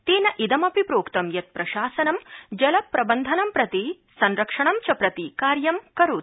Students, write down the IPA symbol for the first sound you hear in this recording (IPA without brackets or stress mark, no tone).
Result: t̪